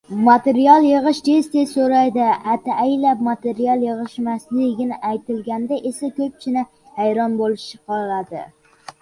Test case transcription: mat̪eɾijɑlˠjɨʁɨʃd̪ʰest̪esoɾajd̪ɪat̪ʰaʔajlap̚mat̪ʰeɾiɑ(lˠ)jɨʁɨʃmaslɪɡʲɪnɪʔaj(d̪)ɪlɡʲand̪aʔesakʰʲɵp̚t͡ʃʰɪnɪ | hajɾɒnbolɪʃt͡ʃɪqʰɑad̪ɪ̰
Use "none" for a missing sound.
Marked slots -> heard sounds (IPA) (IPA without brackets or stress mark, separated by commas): lˠ, t̪